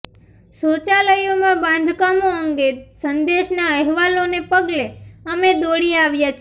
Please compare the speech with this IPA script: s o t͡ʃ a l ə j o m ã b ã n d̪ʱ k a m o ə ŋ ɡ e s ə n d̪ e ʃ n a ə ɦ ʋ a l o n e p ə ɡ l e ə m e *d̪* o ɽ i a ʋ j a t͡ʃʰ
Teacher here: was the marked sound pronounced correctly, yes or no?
yes